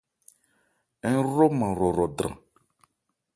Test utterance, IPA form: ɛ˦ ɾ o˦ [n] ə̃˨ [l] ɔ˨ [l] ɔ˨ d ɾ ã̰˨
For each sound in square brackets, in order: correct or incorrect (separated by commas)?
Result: incorrect, incorrect, incorrect